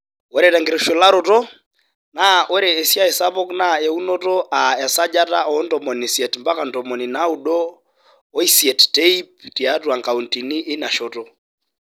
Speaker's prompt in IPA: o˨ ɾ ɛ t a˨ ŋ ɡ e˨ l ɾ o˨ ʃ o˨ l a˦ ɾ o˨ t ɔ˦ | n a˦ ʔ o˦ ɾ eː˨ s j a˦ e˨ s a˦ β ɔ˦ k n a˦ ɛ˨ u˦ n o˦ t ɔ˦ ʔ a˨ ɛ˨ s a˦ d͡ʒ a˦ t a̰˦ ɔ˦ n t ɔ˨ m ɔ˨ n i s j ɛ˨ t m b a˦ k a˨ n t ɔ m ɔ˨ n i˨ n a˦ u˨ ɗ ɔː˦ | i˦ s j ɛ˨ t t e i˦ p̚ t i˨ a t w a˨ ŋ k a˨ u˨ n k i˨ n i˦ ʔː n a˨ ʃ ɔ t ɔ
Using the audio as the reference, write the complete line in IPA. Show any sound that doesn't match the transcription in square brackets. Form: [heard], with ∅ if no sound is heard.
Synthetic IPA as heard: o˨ ɾ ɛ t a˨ ŋ ɡ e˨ [∅] ɾ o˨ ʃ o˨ l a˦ ɾ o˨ t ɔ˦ | n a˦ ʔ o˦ ɾ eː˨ s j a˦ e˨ s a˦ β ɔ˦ k n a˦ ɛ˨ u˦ n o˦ t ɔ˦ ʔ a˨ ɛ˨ s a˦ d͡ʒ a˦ t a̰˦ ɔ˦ n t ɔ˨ m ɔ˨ n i s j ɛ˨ t m b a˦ k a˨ n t ɔ m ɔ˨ n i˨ n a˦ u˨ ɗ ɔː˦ | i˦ s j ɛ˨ t t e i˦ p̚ t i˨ a t w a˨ ŋ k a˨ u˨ n [t] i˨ n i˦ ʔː n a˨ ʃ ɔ t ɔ